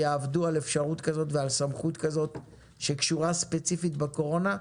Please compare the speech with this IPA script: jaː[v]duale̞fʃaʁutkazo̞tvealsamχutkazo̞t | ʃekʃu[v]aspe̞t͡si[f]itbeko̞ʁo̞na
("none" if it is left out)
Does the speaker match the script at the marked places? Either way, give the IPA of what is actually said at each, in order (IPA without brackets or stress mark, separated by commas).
v, ʁ, f